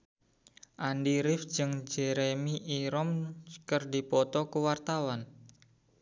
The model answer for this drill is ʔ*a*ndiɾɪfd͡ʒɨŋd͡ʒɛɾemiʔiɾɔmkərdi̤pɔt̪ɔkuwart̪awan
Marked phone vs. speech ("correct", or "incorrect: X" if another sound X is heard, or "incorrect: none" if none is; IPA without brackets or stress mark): correct